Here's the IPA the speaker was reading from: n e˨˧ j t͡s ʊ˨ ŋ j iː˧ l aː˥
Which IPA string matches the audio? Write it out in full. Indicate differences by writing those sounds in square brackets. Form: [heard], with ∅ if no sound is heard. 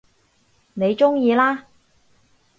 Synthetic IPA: n e˨˧ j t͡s [ʊ˥] ŋ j iː˧ l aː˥